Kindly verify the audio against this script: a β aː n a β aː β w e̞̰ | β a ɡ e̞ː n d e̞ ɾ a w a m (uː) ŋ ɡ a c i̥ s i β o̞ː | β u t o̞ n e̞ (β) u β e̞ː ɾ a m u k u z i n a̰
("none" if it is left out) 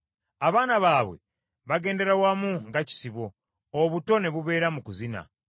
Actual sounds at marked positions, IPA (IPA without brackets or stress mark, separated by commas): u, β